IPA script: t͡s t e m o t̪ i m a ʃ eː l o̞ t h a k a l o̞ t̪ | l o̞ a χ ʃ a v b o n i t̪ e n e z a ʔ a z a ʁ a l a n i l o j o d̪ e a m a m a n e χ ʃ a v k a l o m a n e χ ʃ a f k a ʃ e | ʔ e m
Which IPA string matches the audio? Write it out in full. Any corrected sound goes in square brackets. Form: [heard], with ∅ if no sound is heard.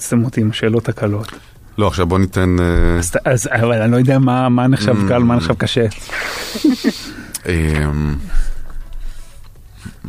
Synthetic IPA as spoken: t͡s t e m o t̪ i m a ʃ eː l o̞ t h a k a l o̞ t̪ | l o̞ a χ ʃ a v b o n i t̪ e n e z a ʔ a z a [v] a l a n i l o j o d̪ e a m a m a n e χ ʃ a v k a l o m a n e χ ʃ a [v] k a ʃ e | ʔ e m